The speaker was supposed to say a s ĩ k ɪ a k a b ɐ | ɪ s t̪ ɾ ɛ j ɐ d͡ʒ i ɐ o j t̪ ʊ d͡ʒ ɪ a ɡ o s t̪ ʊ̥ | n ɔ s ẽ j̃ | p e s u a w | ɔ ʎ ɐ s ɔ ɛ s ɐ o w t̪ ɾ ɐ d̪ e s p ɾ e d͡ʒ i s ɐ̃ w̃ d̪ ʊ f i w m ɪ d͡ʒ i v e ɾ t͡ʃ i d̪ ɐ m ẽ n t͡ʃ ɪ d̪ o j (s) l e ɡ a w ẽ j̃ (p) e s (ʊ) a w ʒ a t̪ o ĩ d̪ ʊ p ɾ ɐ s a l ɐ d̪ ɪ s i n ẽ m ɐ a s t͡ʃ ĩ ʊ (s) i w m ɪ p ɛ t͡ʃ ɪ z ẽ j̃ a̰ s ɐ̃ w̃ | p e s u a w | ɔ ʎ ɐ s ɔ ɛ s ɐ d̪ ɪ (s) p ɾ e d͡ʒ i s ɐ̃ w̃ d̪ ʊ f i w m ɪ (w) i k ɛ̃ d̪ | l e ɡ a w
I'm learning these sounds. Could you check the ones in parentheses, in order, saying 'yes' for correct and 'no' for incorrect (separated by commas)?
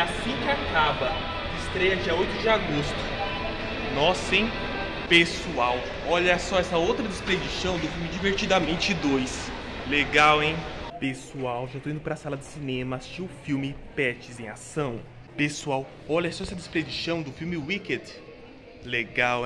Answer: yes, yes, no, no, yes, yes